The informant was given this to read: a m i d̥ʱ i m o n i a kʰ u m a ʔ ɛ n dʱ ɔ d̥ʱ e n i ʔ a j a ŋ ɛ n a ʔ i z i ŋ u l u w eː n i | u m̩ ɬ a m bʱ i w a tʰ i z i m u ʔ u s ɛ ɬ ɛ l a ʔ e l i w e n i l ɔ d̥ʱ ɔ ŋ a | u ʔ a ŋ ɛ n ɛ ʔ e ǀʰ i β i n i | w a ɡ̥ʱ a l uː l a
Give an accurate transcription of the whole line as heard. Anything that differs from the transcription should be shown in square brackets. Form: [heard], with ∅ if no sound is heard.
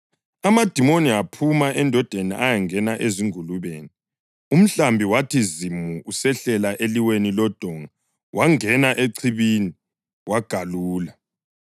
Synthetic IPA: a m [a] d̥ʱ i m o n i a [pʰ] u m a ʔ ɛ n dʱ ɔ d̥ʱ e n i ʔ a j a ŋ ɛ n a ʔ [e] z i ŋ u l u [β] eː n i | u m̩ ɬ a m bʱ i w a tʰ i z i m u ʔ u s ɛ ɬ ɛ l a ʔ e l i w e n i l ɔ d̥ʱ ɔ ŋ a | [w] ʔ a ŋ ɛ n [a] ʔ e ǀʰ i β i n i | w a ɡ̥ʱ a l uː l a